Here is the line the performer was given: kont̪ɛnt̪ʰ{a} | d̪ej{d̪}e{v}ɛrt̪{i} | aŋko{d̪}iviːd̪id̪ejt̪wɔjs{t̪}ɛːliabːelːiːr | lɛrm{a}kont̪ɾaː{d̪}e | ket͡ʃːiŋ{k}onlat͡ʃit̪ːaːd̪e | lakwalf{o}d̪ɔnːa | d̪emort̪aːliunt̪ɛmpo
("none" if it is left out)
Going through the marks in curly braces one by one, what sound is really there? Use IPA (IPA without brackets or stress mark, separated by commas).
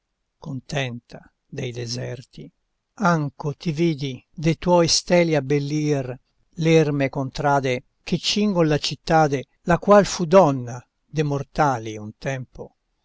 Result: a, d̪, z, i, t̪, t̪, e, d̪, ɡ, u